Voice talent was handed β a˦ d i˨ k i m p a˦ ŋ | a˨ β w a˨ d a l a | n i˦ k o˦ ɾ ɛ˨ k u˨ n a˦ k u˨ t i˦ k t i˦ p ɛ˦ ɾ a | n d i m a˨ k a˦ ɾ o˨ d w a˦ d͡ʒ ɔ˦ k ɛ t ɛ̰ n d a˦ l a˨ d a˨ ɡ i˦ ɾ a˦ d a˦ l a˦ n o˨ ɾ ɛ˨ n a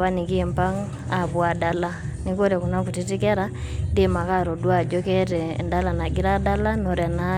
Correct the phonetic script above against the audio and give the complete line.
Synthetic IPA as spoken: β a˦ n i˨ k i m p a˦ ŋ | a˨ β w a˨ d a l a | n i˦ k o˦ ɾ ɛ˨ k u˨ n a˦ k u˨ t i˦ t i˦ k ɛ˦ ɾ a | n d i m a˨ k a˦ ɾ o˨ d w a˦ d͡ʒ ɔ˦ k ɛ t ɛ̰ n d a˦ l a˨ n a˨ ɡ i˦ ɾ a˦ d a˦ l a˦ n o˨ ɾ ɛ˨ n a